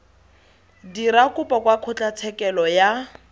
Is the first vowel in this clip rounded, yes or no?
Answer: no